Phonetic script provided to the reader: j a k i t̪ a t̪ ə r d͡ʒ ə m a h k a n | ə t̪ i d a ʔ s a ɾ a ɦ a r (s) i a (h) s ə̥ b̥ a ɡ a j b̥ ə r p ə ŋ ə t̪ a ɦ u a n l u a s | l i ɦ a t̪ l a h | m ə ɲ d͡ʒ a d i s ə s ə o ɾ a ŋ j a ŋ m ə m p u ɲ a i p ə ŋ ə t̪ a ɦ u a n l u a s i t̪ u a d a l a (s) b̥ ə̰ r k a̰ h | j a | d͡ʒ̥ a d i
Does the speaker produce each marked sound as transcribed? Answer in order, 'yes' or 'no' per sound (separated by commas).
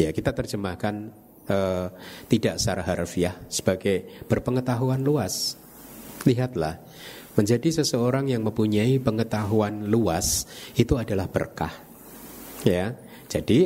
no, yes, no